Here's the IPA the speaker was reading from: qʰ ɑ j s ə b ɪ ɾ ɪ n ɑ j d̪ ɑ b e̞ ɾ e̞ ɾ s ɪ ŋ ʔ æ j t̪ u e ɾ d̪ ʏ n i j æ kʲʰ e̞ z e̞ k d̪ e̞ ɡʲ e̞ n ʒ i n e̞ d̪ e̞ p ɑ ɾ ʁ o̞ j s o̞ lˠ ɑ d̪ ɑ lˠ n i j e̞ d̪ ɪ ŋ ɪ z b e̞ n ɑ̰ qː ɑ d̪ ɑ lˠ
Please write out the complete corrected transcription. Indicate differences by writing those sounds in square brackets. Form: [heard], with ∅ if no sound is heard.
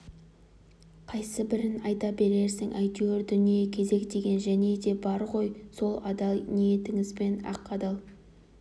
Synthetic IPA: qʰ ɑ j s ə b ɪ ɾ ɪ n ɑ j [t̪] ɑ b e̞ ɾ e̞ ɾ s ɪ ŋ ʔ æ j t̪ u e ɾ d̪ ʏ n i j [e] kʲʰ e̞ z e̞ k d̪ e̞ ɡʲ e̞ n ʒ [æ] n e̞ d̪ e̞ [b] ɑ ɾ ʁ o̞ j s o̞ lˠ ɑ d̪ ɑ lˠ n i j e̞ [t̪] ɪ ŋ ɪ z b e̞ n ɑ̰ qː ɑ d̪ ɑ lˠ